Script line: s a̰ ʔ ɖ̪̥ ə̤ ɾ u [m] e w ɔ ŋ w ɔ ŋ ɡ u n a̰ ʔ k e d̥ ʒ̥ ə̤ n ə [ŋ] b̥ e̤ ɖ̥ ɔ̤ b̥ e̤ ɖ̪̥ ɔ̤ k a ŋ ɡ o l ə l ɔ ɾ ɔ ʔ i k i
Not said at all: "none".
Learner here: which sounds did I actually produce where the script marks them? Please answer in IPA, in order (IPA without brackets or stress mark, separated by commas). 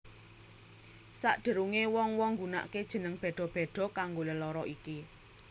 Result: ŋ, ŋ